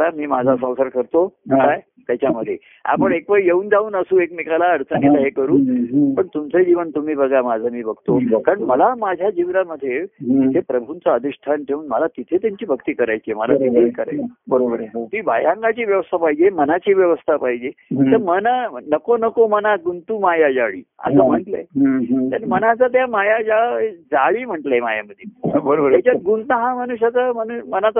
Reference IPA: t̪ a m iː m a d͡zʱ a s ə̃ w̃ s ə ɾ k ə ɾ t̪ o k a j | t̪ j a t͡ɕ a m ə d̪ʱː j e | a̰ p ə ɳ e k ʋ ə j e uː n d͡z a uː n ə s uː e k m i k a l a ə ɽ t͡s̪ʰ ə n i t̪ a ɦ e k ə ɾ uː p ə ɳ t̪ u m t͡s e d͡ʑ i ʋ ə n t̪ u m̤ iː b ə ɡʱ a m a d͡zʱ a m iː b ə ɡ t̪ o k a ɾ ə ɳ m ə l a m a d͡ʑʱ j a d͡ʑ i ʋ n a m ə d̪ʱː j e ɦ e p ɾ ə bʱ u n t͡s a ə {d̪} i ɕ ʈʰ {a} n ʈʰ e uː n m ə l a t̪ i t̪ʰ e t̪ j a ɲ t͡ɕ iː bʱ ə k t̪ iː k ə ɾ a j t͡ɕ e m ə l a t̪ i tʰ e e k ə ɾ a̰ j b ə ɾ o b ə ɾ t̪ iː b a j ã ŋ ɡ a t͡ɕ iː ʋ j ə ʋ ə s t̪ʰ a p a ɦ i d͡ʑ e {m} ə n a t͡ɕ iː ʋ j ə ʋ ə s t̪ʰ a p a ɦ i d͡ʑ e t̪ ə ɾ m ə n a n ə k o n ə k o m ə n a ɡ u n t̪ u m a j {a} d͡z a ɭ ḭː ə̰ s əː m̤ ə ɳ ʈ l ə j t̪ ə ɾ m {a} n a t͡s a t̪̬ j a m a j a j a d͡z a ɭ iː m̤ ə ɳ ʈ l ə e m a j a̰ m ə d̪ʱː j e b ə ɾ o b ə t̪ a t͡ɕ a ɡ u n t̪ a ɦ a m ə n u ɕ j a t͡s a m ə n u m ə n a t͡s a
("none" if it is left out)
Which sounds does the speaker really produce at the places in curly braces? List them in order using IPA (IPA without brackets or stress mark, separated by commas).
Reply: d̪, a, m, a, ə